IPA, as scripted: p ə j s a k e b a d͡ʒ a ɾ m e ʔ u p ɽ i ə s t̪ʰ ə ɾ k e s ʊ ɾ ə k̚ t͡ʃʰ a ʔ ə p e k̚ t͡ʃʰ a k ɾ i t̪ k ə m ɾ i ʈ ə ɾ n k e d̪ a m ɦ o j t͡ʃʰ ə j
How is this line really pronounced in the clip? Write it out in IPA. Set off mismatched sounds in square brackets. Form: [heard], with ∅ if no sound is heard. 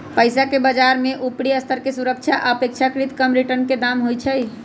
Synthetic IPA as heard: p ə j s a k e b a d͡ʒ a ɾ m e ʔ u p ɽ i ə s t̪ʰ ə ɾ k e s [u] ɾ ə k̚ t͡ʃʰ a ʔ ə p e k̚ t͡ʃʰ a k ɾ i t̪ k ə m ɾ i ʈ ə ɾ n k e d̪ a m ɦ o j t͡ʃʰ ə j